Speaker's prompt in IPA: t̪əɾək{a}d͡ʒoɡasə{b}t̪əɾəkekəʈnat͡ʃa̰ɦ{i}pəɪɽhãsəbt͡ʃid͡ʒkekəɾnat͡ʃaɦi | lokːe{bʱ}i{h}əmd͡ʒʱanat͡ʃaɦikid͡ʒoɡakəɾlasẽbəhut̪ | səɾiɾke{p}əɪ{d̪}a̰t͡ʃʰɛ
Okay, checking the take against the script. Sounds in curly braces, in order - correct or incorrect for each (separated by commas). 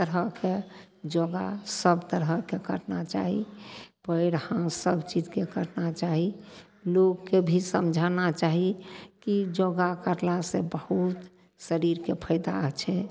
incorrect, correct, correct, correct, incorrect, incorrect, correct